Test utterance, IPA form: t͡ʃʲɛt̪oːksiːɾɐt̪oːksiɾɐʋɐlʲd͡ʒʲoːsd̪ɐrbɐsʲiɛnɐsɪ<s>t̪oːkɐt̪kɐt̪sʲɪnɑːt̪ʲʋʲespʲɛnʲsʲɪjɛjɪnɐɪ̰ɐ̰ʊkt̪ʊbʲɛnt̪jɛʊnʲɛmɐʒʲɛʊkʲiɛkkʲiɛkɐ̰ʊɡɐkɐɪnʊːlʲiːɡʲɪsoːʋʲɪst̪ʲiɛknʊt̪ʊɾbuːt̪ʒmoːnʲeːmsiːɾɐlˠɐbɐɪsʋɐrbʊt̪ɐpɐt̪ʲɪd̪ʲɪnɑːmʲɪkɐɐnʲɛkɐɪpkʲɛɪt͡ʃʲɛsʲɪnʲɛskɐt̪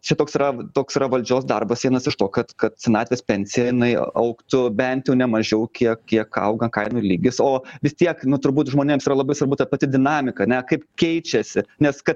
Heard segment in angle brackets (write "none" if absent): ʃ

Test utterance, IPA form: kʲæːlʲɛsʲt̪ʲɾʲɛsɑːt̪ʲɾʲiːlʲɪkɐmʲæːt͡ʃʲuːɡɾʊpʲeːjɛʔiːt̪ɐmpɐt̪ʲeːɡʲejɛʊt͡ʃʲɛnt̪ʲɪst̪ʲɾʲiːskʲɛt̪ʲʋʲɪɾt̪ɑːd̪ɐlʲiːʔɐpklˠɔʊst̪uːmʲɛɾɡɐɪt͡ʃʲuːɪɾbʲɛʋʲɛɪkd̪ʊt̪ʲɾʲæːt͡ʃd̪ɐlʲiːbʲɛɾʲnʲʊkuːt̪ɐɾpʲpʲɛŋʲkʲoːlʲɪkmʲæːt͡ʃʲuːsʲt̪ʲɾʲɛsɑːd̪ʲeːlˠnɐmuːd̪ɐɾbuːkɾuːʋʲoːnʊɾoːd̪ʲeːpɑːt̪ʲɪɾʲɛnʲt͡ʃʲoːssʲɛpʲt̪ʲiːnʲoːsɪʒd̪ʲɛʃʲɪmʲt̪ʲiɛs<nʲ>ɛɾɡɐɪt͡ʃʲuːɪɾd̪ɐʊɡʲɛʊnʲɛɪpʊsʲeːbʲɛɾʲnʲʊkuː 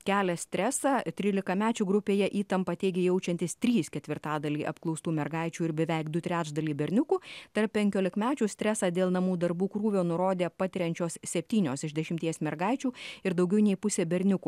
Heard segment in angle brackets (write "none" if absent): mʲ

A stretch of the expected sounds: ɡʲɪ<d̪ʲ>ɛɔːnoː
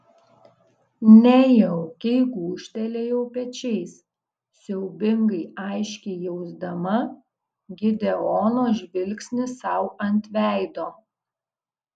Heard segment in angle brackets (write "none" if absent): d̪ʲ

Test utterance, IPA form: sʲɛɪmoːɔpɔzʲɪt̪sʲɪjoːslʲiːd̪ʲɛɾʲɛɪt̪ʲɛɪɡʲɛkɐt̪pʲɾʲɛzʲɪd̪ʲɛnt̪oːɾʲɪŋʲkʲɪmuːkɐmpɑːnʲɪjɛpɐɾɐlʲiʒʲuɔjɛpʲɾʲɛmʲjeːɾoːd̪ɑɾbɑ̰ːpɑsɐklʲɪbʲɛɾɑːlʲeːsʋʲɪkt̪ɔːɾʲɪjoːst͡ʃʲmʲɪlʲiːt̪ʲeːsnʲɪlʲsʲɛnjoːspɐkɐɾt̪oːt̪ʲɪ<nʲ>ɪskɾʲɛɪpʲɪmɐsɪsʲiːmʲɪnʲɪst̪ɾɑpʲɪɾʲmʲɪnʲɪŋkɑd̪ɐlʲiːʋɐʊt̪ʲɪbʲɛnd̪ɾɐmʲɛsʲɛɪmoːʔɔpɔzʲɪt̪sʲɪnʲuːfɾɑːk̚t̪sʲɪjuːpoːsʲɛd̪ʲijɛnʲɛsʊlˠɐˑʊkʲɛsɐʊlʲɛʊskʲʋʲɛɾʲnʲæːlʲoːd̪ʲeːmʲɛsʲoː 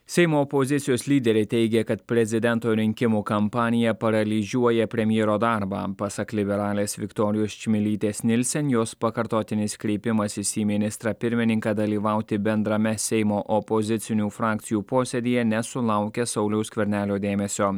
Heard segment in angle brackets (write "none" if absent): nʲ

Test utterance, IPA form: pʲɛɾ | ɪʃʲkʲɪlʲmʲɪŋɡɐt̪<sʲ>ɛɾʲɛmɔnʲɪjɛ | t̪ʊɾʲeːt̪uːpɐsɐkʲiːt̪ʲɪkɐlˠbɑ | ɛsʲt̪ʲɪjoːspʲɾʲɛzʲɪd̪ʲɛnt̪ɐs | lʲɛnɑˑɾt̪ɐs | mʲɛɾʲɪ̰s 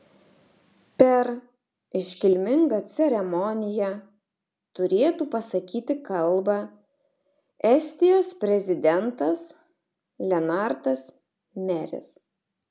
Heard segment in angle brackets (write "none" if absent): sʲ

